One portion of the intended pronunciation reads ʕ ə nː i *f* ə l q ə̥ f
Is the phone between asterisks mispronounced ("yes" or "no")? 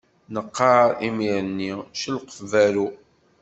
yes